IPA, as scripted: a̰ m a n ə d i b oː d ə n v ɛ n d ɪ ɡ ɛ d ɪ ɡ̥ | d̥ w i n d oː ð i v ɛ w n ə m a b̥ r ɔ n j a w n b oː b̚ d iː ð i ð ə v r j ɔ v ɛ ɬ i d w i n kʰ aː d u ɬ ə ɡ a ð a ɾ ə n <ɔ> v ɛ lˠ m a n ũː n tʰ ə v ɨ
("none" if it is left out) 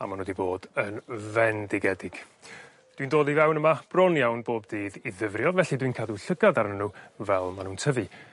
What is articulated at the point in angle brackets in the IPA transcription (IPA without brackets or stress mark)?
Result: u